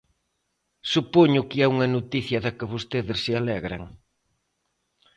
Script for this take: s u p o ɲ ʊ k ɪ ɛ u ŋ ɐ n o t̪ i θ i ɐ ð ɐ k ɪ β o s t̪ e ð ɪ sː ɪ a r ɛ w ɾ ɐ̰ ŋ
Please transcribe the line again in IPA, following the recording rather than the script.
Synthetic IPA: s u p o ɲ ʊ k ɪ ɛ u ŋ ɐ n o t̪ i θ j ɐ ð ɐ k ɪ β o s t̪ e ð ɪ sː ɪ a l ɛ ɣ ɾ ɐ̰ ŋ